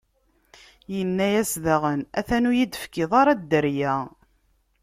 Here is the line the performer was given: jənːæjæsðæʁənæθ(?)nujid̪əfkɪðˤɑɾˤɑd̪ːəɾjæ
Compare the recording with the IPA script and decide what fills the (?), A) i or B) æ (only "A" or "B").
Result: B